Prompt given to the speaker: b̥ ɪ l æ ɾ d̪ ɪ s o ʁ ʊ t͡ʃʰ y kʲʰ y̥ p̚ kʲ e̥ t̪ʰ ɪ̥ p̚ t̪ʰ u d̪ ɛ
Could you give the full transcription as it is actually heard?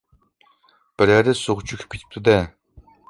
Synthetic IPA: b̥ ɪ ɾ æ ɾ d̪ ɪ s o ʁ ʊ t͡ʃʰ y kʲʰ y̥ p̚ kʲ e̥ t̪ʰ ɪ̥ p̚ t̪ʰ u d̪ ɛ